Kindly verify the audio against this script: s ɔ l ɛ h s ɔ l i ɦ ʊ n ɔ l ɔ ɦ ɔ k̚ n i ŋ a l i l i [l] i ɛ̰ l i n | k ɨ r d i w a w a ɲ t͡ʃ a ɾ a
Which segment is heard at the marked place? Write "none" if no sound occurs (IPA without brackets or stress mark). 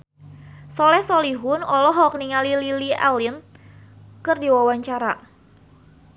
l